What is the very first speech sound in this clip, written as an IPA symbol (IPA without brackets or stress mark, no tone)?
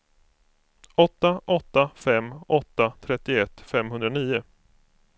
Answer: ɔ